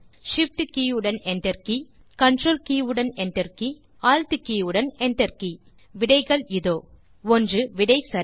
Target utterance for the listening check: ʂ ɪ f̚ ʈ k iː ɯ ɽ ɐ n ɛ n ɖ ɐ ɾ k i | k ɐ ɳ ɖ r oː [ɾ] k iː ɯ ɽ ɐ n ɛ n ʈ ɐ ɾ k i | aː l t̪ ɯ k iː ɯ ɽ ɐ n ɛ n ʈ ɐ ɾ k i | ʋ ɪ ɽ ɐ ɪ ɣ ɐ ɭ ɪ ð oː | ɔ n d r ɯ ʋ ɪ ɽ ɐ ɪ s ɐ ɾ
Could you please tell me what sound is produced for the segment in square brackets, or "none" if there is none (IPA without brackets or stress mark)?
l